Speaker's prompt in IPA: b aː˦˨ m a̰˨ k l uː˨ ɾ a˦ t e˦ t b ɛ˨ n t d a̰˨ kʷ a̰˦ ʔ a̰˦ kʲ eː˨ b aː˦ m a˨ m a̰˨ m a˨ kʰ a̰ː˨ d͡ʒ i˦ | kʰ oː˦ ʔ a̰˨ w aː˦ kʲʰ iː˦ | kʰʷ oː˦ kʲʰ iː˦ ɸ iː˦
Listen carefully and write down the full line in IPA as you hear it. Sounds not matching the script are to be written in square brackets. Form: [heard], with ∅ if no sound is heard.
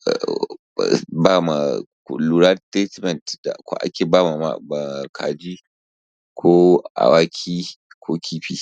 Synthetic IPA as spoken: b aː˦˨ m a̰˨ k l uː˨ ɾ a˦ t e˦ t [m] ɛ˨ n t d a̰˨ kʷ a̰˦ ʔ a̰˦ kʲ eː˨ b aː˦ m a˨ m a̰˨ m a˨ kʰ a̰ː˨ d͡ʒ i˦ | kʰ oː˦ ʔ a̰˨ w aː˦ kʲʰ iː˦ | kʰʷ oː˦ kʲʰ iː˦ ɸ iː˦

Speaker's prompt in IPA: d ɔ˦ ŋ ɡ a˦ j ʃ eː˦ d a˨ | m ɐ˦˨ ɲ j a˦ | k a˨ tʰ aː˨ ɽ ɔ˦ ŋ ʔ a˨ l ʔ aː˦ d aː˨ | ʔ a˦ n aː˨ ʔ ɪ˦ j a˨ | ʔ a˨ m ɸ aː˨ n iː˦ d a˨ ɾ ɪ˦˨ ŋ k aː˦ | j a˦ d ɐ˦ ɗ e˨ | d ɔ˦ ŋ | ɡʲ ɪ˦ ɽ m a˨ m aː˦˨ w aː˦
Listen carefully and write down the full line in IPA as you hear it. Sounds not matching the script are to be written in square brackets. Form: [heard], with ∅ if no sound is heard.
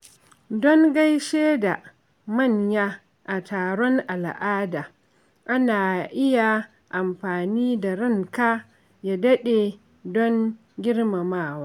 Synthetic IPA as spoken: d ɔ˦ ŋ ɡ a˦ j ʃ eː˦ d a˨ | m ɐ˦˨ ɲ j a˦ | [ʔ] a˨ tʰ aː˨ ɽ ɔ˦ ŋ ʔ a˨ l ʔ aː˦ d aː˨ | ʔ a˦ n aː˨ ʔ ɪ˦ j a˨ | ʔ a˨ m ɸ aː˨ n iː˦ d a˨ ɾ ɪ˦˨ ŋ k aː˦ | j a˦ d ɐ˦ ɗ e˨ | d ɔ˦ ŋ | ɡʲ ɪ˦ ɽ m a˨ m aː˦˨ w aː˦

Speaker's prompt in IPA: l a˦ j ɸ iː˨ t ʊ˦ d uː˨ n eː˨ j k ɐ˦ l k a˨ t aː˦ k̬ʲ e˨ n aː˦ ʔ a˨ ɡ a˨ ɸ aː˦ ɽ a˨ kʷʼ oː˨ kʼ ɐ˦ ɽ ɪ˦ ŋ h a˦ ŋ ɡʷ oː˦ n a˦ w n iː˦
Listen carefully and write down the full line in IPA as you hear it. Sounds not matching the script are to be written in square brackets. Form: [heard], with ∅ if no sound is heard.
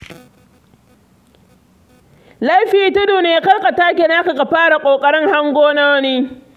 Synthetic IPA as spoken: l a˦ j ɸ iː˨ t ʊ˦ d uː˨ n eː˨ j k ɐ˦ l k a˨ t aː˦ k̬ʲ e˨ n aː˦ [k] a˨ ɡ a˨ ɸ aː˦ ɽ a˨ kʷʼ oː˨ kʼ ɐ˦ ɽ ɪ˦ ŋ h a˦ ŋ ɡʷ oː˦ n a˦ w n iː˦

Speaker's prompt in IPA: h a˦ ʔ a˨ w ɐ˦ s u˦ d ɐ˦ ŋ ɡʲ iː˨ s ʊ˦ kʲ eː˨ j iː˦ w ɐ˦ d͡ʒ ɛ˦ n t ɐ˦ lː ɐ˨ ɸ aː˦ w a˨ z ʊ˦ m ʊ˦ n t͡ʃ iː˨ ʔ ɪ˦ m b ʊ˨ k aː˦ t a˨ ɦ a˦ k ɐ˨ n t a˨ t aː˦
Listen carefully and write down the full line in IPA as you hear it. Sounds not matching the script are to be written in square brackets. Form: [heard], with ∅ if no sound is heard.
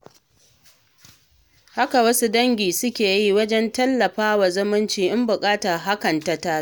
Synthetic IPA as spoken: h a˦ [k] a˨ w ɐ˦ s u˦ d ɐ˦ ŋ ɡʲ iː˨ s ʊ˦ kʲ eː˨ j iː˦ w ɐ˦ d͡ʒ ɛ˦ n t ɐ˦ lː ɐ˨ ɸ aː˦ w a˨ z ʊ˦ m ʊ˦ n t͡ʃ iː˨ ʔ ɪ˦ m b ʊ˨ [kʼ] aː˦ t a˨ ɦ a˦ k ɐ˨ n t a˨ t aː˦

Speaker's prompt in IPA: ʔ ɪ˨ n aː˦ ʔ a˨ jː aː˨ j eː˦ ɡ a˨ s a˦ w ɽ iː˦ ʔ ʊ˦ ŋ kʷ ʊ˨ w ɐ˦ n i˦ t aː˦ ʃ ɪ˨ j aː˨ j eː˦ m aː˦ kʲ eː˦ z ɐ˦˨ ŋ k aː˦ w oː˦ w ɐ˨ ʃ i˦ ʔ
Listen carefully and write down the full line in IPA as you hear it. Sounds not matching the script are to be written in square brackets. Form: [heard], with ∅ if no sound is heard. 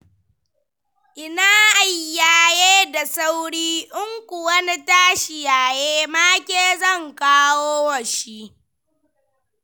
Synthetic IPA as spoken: ʔ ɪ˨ n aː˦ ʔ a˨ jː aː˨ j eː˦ [d] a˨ s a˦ w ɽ iː˦ ʔ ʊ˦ ŋ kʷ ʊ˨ w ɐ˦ n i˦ t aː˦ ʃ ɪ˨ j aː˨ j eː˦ m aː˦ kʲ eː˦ z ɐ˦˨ ŋ k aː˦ w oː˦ w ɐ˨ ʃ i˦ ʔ

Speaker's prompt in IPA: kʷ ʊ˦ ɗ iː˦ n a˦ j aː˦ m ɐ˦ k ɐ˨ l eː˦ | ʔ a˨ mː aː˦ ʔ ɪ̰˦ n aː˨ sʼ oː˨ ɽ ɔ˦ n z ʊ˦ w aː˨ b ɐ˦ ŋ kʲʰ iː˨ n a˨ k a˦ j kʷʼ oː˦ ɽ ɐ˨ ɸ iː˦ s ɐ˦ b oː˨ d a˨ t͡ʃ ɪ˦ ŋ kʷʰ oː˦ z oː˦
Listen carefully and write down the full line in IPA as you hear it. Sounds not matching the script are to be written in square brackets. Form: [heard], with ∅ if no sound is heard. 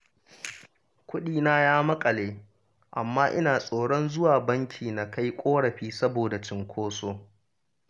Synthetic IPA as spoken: kʷ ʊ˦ ɗ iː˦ n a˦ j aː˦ m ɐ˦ [kʼ] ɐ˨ l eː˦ | ʔ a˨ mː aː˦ ʔ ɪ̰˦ n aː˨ sʼ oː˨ ɽ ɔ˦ n z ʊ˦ w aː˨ b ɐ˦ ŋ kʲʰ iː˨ n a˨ k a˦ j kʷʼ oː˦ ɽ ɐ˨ ɸ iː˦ s ɐ˦ b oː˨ d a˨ t͡ʃ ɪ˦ ŋ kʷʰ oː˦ [s] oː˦

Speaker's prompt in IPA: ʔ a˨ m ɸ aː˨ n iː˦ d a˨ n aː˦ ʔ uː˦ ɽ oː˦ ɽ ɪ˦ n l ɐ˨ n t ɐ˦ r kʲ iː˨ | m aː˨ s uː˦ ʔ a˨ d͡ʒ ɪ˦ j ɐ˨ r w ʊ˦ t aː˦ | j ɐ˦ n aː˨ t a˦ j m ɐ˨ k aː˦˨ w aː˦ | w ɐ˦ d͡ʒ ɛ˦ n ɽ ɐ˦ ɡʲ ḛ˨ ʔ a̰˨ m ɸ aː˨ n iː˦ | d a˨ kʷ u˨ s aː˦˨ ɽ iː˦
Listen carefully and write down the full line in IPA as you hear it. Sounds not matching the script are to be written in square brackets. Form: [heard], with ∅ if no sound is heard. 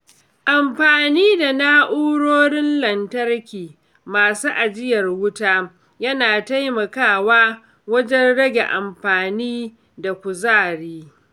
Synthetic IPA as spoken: ʔ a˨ m ɸ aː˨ n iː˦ d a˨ n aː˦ ʔ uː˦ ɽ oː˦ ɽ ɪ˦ n l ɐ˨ n t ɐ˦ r kʲ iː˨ | m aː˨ s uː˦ ʔ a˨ d͡ʒ ɪ˦ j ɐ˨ r w ʊ˦ t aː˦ | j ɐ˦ n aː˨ t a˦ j m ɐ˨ k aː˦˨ w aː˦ | w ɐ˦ d͡ʒ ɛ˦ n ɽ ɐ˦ ɡʲ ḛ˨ ʔ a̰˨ m ɸ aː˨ n iː˦ | d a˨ kʷ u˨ [z] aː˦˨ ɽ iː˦

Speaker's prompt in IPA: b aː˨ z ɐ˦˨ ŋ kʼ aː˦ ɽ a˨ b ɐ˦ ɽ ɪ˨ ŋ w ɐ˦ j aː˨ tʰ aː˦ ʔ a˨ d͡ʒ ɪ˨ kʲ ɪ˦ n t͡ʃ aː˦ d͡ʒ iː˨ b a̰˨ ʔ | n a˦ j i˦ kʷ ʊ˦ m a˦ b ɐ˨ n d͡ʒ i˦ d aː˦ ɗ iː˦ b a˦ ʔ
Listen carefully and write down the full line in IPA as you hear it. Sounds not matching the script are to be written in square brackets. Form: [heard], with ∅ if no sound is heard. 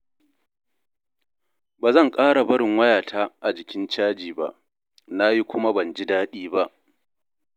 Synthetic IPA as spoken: b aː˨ z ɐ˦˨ ŋ kʼ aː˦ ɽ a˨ b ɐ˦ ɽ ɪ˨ ŋ w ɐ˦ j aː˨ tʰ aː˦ ʔ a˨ d͡ʒ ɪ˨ kʲ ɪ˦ n t͡ʃ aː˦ d͡ʒ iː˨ b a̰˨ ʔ | n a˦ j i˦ kʷ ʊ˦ m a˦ b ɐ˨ n d͡ʒ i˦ d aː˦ ɗ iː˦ b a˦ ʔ

